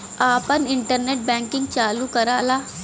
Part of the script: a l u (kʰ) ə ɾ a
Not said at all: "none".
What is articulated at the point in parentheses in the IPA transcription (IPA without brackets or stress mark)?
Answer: k